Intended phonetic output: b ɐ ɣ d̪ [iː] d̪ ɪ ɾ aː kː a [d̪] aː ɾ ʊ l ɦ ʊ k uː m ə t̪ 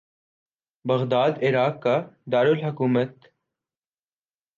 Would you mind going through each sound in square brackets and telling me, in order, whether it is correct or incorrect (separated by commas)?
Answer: incorrect, correct